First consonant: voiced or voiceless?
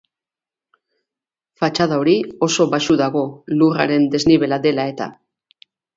voiceless